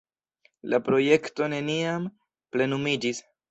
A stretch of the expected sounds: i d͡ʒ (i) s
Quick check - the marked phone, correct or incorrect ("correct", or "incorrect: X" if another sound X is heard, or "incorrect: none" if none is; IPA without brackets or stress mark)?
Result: correct